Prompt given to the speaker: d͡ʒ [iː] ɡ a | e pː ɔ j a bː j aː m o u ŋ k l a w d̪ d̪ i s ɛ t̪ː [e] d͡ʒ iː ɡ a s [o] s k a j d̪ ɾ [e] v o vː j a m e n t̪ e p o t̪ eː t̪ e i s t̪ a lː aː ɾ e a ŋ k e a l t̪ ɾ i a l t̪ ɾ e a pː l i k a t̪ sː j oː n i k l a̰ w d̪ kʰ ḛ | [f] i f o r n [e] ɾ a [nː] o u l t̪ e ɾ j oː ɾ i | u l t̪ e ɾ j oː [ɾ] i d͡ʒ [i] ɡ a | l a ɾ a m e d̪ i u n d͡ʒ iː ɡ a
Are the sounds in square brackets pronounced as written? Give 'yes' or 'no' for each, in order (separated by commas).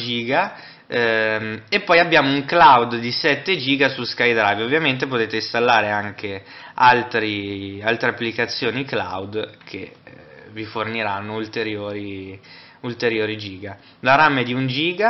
yes, yes, no, no, no, no, yes, yes, no